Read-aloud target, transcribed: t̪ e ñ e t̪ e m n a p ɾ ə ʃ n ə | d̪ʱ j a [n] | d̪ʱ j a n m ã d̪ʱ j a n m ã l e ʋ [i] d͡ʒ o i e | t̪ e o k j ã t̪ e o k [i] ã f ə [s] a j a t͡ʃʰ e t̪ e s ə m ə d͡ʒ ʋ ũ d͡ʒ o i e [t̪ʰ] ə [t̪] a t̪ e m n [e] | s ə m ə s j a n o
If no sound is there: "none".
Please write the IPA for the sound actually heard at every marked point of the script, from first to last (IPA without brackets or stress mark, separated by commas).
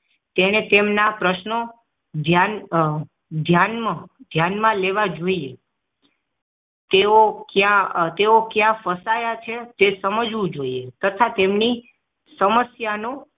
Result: n, a, j, s, t̪, t̪ʰ, i